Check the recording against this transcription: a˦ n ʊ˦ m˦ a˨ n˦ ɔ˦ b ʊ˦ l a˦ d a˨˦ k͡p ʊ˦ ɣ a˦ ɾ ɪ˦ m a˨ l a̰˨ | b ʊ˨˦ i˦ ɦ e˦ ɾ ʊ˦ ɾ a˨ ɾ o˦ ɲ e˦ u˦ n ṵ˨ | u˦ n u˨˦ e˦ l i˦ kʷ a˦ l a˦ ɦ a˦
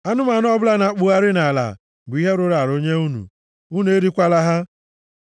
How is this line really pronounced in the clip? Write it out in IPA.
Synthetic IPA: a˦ n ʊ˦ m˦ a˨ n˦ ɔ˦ b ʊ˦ l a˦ n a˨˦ k͡p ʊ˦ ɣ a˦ ɾ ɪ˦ n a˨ l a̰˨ | b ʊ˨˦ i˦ ɦ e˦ ɾ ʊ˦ ɾ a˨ ɾ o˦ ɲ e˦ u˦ n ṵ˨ | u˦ n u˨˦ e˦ ɾ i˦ kʷ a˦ l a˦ ɦ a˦